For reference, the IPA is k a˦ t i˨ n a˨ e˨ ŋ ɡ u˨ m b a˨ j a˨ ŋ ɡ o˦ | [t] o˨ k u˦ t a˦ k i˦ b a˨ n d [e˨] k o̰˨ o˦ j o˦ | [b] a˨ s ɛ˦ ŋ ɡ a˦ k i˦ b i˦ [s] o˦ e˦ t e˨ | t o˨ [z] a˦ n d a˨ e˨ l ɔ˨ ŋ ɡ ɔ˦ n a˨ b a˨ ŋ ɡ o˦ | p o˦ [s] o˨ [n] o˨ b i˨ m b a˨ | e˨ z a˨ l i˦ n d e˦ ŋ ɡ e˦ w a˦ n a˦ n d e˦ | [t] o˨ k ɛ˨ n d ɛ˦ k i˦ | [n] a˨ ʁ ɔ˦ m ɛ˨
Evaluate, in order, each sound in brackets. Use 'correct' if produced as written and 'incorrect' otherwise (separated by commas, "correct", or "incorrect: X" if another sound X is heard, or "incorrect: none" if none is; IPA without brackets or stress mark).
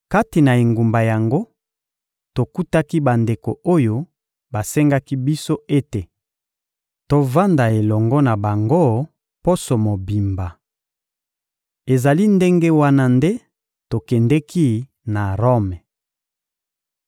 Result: correct, correct, correct, correct, incorrect: v, correct, incorrect: m, correct, correct